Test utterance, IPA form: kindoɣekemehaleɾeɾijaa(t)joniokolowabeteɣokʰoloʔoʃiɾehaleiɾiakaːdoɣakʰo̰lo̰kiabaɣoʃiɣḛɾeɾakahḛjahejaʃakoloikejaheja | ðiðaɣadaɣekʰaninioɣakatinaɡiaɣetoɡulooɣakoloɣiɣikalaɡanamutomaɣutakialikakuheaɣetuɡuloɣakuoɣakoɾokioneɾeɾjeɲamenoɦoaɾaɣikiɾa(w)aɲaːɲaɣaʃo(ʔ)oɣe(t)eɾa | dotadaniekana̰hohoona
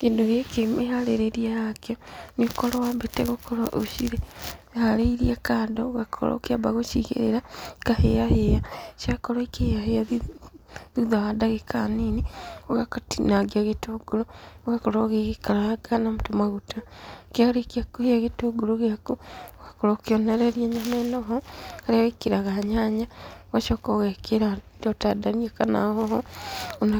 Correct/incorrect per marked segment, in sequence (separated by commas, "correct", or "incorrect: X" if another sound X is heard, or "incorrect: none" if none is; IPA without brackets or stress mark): incorrect: k, incorrect: ɣ, incorrect: k, incorrect: k